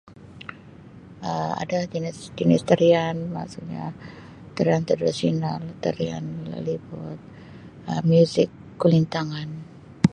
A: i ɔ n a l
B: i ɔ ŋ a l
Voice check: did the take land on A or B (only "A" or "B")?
A